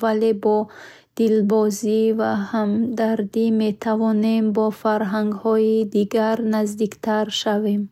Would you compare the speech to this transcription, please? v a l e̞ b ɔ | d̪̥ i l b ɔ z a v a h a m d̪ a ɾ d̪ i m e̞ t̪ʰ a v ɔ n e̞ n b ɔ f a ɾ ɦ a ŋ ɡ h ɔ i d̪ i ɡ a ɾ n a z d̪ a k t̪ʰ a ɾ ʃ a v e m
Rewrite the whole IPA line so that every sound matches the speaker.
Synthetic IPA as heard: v a l e̞ b ɔ | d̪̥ i l b ɔ z i v a h a m d̪ a ɾ d̪ i m e̞ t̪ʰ a v ɔ n e̞ m b ɔ f a ɾ ɦ a ŋ ɡ h ɔ i d̪ i ɡ a ɾ n a z d̪ i k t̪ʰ a ɾ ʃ a v e m